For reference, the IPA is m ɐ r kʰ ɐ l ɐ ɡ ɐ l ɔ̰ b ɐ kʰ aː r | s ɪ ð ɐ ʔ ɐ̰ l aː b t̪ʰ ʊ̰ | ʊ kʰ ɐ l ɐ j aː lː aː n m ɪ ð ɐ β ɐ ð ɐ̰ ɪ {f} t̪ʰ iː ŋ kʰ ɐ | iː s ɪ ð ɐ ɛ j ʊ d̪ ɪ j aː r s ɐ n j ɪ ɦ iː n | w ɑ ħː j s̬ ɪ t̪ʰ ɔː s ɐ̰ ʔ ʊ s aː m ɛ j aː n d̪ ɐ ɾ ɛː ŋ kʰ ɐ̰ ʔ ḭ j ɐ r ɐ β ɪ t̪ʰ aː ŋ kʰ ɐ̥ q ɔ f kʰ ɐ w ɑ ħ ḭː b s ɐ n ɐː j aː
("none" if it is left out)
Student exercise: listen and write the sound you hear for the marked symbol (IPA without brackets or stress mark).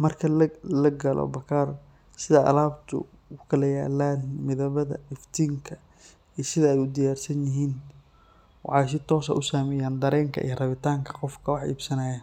f